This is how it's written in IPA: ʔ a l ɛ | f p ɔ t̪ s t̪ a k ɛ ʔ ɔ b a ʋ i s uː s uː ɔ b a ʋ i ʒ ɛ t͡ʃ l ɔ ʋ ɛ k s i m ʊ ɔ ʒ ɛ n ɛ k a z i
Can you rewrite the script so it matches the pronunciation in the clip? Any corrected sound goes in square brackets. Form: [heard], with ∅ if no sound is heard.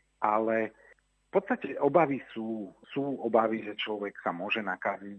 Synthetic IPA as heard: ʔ a l ɛ | f p ɔ t̪ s t̪ a [c] ɛ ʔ ɔ b a ʋ i s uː s uː ɔ b a ʋ i ʒ ɛ t͡ʃ l ɔ ʋ ɛ k s [a] m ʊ ɔ ʒ ɛ n [a] k a z i